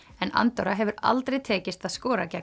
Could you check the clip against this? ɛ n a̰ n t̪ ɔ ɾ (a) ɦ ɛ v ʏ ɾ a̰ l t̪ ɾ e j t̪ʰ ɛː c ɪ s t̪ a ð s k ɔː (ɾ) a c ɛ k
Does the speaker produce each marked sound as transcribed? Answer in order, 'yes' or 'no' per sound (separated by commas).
yes, yes